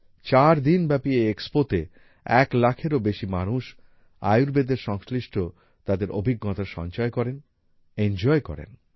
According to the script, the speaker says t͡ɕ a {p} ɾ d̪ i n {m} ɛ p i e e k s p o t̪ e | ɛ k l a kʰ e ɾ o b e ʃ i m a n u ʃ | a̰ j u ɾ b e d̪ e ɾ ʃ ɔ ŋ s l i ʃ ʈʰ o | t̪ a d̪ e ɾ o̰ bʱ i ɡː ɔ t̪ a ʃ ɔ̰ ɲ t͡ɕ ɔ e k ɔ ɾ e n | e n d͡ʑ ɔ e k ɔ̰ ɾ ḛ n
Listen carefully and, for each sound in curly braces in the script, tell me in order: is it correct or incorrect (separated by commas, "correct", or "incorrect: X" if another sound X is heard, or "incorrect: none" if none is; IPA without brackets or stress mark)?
incorrect: none, incorrect: b